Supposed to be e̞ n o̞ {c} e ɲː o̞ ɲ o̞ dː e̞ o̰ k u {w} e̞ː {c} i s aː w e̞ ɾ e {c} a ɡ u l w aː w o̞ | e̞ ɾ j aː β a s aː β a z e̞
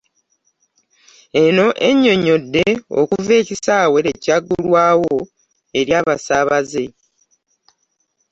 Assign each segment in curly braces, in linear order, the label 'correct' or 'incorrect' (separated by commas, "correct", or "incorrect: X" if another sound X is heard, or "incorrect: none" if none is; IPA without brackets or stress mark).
incorrect: ʔ, incorrect: v, correct, correct